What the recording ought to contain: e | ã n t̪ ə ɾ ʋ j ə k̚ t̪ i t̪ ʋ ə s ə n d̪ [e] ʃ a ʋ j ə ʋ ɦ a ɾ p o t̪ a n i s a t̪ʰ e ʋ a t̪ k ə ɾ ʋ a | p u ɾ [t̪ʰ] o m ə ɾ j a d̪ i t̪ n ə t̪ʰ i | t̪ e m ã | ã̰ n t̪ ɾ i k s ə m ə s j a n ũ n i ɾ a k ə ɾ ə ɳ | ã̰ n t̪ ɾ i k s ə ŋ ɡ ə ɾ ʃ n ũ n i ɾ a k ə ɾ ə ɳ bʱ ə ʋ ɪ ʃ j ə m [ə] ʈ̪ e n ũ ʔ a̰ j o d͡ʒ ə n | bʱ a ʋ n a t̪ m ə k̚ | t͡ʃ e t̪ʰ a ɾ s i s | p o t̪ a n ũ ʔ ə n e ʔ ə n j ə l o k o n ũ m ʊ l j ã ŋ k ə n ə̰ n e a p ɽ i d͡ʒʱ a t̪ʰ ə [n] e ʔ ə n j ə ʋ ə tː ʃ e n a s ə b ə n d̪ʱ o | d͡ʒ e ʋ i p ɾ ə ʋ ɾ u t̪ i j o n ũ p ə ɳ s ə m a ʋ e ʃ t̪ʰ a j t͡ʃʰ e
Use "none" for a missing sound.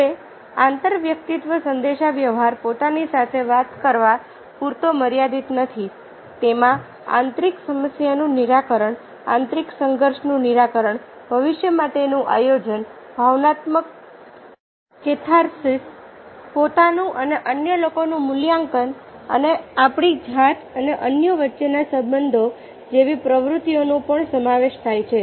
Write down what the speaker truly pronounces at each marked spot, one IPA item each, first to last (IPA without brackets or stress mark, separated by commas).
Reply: e, t̪, a, n